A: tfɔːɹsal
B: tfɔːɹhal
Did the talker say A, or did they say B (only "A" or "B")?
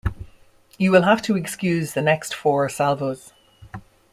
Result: A